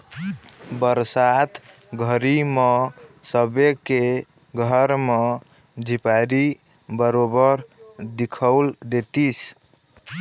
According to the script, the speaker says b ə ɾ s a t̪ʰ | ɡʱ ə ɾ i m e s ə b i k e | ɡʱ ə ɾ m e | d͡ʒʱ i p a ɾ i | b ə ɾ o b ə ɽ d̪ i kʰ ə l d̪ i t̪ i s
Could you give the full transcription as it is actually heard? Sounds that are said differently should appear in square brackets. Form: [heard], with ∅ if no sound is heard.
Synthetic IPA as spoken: b ə ɾ s a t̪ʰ | ɡʱ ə ɾ i m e s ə b [e] k e | ɡʱ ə ɾ m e | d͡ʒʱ i p a ɾ i | b ə ɾ o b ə [ɾ] d̪ i kʰ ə l d̪ [e] t̪ i s

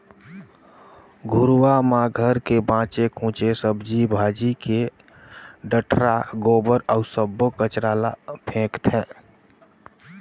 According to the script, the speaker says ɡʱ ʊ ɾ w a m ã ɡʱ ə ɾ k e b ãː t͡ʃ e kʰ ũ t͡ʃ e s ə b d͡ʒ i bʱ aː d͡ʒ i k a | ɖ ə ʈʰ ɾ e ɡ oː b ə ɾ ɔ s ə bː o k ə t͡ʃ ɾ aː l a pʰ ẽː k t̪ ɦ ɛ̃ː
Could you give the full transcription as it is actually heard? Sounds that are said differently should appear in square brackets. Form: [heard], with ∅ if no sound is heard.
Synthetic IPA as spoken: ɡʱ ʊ ɾ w a m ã ɡʱ ə ɾ k e b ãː t͡ʃ e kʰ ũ t͡ʃ e s ə b d͡ʒ i bʱ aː d͡ʒ i k [e] | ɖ ə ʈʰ ɾ [a] ɡ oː b ə ɾ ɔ s ə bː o k ə t͡ʃ ɾ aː l a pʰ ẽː k t̪ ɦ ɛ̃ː

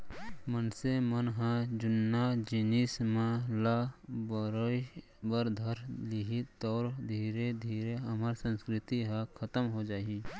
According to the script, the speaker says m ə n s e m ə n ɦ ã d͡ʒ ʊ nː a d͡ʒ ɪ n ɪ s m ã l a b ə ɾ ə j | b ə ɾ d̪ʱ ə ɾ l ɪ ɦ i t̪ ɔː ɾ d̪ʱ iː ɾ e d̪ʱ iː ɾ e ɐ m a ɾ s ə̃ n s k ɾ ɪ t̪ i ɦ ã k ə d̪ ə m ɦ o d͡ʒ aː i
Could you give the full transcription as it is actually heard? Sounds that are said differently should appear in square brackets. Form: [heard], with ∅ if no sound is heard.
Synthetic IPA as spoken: m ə n s e m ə n ɦ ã d͡ʒ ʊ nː a d͡ʒ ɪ n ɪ s m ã l a b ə ɾ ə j | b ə ɾ d̪ʱ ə ɾ l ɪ ɦ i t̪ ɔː ɾ d̪ʱ iː ɾ e d̪ʱ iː ɾ e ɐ m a ɾ s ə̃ n s k ɾ ɪ t̪ i ɦ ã [kʰ] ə [t̪] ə m ɦ o d͡ʒ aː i

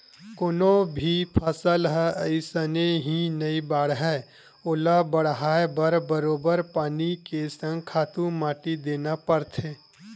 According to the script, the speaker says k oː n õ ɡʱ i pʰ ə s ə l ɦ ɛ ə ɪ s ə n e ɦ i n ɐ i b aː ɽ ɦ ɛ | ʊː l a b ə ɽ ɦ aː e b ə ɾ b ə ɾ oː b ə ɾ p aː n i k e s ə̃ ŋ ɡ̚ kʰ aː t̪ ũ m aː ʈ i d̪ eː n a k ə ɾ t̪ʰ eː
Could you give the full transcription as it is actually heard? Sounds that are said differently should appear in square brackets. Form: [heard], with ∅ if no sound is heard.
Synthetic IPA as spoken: k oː n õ [bʱ] i pʰ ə s ə l ɦ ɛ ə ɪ s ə n e ɦ i n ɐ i b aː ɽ ɦ ɛ | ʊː l a b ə ɽ ɦ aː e b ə ɾ b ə ɾ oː b ə ɾ p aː n i k e s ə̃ ŋ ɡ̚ kʰ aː t̪ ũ m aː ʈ i d̪ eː n a [p] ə ɾ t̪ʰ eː

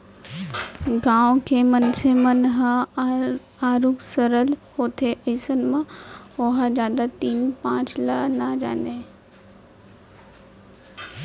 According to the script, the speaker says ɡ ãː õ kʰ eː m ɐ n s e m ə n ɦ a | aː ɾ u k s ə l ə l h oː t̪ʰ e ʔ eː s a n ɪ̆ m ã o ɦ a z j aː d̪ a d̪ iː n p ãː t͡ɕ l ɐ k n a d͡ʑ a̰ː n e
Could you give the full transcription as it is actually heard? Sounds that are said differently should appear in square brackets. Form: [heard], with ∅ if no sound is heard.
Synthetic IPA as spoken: ɡ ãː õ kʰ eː m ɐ n s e m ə n ɦ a | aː ɾ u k s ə [ɾ] ə l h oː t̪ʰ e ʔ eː s [ə] n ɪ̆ m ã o ɦ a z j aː d̪ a [t̪] iː n p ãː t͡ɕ l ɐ [∅] n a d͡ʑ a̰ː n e

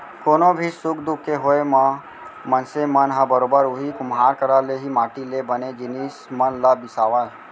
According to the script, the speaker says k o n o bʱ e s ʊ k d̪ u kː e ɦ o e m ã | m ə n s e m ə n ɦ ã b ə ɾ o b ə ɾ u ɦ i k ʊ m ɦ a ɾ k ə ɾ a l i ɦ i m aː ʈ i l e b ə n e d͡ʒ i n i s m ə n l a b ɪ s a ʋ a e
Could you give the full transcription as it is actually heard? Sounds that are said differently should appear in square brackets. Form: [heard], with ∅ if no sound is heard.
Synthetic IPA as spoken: k o n o bʱ [i] s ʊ k d̪ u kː e ɦ o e m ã | m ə n s e m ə n ɦ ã b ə ɾ o b ə ɾ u ɦ i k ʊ m ɦ a ɾ k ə ɾ a l [e] ɦ i m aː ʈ i l e b ə n e d͡ʒ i n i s m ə n l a b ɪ s a ʋ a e

